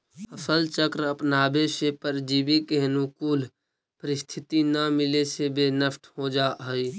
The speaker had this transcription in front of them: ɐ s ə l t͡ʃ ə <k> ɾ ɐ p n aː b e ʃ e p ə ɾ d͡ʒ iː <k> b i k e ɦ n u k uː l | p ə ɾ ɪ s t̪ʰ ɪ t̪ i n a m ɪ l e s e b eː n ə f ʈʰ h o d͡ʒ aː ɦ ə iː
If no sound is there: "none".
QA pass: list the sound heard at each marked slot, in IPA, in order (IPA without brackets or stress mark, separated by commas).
k, none